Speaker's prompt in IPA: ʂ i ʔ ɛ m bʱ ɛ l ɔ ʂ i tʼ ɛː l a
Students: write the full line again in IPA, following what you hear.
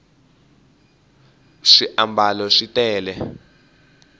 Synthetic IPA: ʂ i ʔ a m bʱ a l ɔ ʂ i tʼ ɛː l ɛ